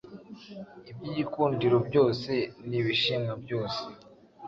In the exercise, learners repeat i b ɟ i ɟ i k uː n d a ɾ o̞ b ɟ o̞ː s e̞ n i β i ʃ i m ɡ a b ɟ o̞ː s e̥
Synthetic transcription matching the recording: i b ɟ i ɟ i k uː n d i ɾ o̞ b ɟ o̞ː s e̞ n i β i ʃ i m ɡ a b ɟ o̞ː s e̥